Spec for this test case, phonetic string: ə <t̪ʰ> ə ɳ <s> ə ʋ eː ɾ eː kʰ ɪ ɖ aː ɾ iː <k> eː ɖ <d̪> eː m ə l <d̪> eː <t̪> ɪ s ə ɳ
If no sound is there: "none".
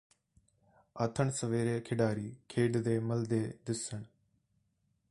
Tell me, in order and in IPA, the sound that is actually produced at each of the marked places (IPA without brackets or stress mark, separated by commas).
t̪ʰ, s, kʰ, d̪, d̪, d̪